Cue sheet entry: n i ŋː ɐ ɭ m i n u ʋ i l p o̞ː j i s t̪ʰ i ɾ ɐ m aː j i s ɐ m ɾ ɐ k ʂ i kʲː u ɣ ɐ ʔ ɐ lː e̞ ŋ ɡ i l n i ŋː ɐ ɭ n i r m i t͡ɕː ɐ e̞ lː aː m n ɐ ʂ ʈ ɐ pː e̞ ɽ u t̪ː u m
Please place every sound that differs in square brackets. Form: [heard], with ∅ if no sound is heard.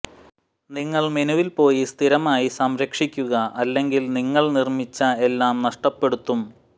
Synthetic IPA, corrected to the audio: n i ŋː ɐ ɭ m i n u ʋ i l p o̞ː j i s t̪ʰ i ɾ ɐ m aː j i s ɐ m ɾ ɐ k ʂ i kʲː u ɣ ɐ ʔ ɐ lː e̞ ŋ ɡ i l n i ŋː ɐ ɭ n i r m i t͡ɕː ɐ e̞ lː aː m n ɐ ʂ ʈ ɐ pː e̞ ɽ u t̪ː u m

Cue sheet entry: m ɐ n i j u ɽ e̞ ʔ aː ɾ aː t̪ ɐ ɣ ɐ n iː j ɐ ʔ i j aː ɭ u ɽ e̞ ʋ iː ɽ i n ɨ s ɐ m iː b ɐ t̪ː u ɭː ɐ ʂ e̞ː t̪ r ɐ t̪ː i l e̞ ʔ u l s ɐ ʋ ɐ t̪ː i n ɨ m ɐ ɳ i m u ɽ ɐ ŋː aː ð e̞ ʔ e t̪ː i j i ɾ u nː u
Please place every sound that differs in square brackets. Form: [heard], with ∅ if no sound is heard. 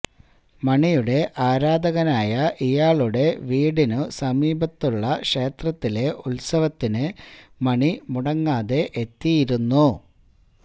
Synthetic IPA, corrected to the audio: m ɐ [ɳ] i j u ɽ e̞ ʔ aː ɾ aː [d̪] ɐ ɣ ɐ n [aː] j ɐ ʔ i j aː ɭ u ɽ e̞ ʋ iː ɽ i n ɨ s ɐ m iː b ɐ t̪ː u ɭː ɐ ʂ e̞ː t̪ r ɐ t̪ː i l e̞ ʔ u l s ɐ ʋ ɐ t̪ː i n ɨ m ɐ ɳ i m u ɽ ɐ ŋː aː ð e̞ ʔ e t̪ː i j i ɾ u nː u

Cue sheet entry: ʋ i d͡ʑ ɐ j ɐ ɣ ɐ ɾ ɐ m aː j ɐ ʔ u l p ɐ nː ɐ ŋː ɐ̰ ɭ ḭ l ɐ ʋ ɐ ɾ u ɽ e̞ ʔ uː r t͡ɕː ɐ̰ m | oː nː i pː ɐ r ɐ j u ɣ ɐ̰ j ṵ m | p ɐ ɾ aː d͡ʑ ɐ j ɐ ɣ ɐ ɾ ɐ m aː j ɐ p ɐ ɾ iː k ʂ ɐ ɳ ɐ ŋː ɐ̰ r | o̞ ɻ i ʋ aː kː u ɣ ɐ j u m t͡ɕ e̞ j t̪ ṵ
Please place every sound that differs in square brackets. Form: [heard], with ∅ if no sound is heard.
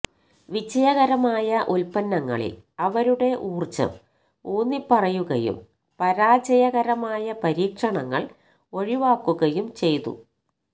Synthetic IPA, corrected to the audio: ʋ i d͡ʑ ɐ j ɐ ɣ ɐ ɾ ɐ m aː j ɐ ʔ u l p ɐ nː ɐ ŋː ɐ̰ ɭ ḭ l ɐ ʋ ɐ ɾ u ɽ e̞ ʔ uː r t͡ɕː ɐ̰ m | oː nː i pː ɐ r ɐ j u ɣ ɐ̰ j ṵ m | p ɐ ɾ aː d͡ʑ ɐ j ɐ ɣ ɐ ɾ ɐ m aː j ɐ p ɐ ɾ iː k ʂ ɐ ɳ ɐ ŋː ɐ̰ [ɭ] | o̞ ɻ i ʋ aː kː u ɣ ɐ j u m t͡ɕ e̞ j t̪ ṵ

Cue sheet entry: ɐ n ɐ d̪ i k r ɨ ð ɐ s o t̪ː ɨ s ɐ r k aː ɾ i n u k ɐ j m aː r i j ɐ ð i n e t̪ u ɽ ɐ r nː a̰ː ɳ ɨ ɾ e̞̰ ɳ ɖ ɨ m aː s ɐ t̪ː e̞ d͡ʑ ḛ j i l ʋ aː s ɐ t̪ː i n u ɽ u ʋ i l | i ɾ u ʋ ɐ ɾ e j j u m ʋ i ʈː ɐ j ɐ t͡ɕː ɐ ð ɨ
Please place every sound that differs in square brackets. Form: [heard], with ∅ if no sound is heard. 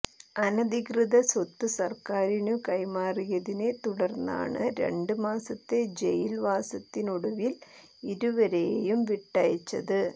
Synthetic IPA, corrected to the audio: ɐ n ɐ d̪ i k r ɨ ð ɐ s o t̪ː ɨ s ɐ r k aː ɾ i n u k ɐ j m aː r i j ɐ ð i n e t̪ u ɽ ɐ r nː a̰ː ɳ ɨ ɾ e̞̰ ɳ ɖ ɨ m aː s ɐ t̪ː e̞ d͡ʑ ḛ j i l ʋ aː s ɐ t̪ː i n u ɽ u ʋ i l | i ɾ u ʋ ɐ ɾ e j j u m ʋ i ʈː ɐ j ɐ t͡ɕː ɐ ð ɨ

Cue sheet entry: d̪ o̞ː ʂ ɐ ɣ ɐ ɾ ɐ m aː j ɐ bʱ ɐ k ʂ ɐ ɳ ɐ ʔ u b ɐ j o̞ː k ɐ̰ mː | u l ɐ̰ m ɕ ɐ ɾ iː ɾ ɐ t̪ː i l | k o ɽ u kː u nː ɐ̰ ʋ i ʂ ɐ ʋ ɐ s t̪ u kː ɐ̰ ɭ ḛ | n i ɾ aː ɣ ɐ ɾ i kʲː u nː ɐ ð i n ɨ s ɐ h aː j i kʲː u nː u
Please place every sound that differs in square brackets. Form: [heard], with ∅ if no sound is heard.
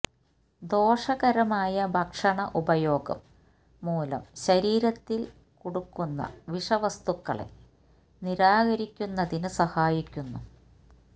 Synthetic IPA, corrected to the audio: d̪ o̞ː ʂ ɐ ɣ ɐ ɾ ɐ m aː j ɐ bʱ ɐ k ʂ ɐ ɳ ɐ ʔ u b ɐ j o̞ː [ɡ] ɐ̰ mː | [uː] l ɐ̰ m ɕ ɐ ɾ iː ɾ ɐ t̪ː i l | k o ɽ u kː u nː ɐ̰ ʋ i ʂ ɐ ʋ ɐ s t̪ u kː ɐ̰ ɭ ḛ | n i ɾ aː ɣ ɐ ɾ i kʲː u nː ɐ ð i n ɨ s ɐ h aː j i kʲː u nː u

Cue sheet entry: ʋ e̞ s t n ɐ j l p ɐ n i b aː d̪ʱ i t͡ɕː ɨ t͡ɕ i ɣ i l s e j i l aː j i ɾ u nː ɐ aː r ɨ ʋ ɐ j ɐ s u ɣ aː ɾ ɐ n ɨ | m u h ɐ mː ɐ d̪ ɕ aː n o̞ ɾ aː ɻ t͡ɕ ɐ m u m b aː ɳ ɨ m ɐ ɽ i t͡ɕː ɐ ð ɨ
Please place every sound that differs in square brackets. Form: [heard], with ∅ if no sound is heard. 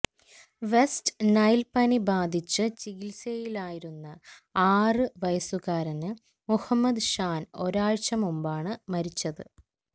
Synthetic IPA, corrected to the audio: ʋ e̞ s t n ɐ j l p ɐ n i b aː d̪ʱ i t͡ɕː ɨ t͡ɕ i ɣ i l s e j i l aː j i ɾ u nː ɐ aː r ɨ ʋ ɐ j ɐ s u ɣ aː ɾ ɐ n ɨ | m u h ɐ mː ɐ d̪ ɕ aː n o̞ ɾ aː ɻ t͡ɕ ɐ m u m b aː ɳ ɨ m ɐ [ɾ] i t͡ɕː ɐ ð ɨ

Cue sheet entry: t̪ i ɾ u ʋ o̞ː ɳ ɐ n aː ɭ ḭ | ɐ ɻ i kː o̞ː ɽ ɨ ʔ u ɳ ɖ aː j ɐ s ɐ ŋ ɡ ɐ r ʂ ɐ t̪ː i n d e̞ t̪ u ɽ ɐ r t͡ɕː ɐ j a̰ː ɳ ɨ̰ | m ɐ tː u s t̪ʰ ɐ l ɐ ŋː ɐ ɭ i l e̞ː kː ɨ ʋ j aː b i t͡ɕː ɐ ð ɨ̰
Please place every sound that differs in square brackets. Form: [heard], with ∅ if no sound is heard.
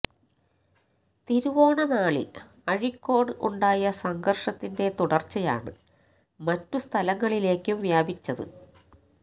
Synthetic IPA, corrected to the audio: t̪ i ɾ u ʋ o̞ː ɳ ɐ n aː ɭ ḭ | ɐ ɻ i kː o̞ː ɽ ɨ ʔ u ɳ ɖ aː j ɐ s ɐ ŋ ɡ ɐ r ʂ ɐ t̪ː i n d e̞ t̪ u ɽ ɐ r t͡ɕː ɐ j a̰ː ɳ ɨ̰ | m ɐ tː u s t̪ʰ ɐ l ɐ ŋː ɐ ɭ i l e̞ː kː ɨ ʋ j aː b i t͡ɕː ɐ ð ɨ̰

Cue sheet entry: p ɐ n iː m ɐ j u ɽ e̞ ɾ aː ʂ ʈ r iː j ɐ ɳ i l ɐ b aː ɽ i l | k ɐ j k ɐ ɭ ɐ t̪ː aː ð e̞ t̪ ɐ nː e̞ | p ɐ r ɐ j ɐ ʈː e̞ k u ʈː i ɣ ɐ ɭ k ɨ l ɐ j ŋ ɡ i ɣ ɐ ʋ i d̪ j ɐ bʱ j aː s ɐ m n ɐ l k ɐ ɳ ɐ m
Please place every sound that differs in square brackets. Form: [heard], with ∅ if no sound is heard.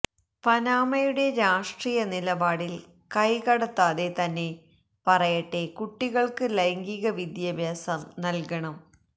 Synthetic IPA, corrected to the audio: p ɐ n [aː] m ɐ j u ɽ e̞ ɾ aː ʂ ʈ r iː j ɐ [n] i l ɐ b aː ɽ i l | k ɐ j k ɐ [ɽ] ɐ t̪ː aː ð e̞ t̪ ɐ nː e̞ | p ɐ r ɐ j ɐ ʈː e̞ k u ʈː i ɣ ɐ ɭ k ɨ l ɐ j ŋ ɡ i ɣ ɐ ʋ i d̪ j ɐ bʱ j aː s ɐ m n ɐ l k ɐ ɳ ɐ m

